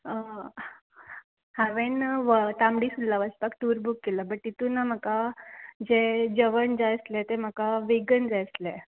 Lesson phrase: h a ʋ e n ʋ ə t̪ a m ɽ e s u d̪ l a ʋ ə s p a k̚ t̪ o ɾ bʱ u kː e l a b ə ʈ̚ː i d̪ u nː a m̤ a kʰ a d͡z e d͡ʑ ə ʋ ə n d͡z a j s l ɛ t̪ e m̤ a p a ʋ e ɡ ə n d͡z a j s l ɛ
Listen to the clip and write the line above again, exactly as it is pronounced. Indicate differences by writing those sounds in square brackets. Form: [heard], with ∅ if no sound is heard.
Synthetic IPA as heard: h a ʋ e n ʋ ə t̪ a m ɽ [i] s u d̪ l a ʋ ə s p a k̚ t̪ [u] ɾ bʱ u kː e l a b ə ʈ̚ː i [t̪] u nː a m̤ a [k] a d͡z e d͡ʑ ə ʋ ə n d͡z a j s l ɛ t̪ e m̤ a [k] a ʋ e ɡ ə n d͡z a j s l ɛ